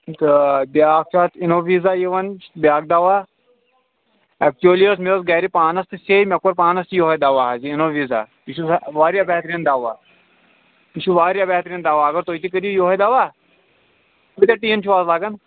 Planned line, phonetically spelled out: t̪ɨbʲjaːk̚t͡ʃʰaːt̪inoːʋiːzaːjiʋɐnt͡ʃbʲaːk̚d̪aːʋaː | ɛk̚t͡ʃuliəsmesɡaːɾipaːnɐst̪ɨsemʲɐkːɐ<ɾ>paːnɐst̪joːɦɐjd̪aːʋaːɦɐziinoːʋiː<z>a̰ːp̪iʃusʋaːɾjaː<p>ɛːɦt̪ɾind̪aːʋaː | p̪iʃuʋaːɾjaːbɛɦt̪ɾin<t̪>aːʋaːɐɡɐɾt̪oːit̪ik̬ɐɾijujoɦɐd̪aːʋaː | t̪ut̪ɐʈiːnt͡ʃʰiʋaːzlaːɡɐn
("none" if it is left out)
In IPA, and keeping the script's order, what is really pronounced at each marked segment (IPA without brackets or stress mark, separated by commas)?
ɾ, z, b, d̪